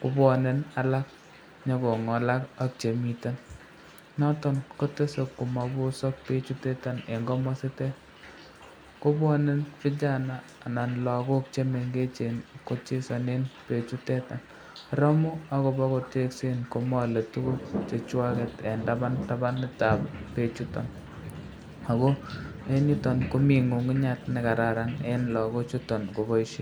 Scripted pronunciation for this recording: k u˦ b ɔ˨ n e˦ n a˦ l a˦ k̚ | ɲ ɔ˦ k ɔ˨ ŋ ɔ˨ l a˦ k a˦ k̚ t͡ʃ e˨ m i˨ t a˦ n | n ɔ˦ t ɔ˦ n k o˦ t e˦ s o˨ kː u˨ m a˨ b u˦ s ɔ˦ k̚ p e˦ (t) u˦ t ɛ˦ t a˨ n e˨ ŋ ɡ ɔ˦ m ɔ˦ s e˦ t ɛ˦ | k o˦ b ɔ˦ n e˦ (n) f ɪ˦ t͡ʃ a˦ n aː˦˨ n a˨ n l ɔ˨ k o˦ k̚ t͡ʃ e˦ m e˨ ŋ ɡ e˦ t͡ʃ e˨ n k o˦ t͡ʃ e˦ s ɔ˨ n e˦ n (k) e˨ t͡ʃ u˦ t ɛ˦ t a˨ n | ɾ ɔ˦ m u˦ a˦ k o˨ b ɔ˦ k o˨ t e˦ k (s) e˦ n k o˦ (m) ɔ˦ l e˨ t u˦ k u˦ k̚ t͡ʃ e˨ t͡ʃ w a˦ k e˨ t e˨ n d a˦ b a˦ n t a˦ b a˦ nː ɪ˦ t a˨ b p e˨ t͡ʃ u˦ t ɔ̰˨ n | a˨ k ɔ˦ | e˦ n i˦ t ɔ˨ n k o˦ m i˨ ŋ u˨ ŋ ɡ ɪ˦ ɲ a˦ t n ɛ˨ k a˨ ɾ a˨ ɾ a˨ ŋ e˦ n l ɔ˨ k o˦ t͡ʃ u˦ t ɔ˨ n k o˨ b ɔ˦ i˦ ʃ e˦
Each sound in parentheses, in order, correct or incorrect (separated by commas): incorrect, correct, incorrect, correct, correct